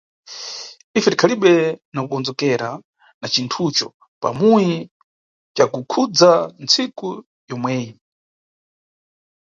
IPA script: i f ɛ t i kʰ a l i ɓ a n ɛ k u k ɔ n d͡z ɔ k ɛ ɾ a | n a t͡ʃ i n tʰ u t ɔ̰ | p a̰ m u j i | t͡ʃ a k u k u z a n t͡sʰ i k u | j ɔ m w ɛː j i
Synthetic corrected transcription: i f ɛ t i kʰ a l i ɓ ɛ n a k u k ɔ n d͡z ɔ k ɛ ɾ a | n a t͡ʃ i n tʰ u t͡ʃ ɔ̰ | p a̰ m u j i | t͡ʃ a k u kʰ u d͡z a n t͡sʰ i k u | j ɔ m w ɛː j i